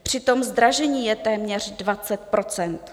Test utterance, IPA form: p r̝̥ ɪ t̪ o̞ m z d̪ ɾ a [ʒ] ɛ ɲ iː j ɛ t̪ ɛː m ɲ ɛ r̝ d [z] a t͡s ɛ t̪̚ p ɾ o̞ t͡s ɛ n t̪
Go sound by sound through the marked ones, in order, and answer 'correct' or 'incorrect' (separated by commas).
correct, incorrect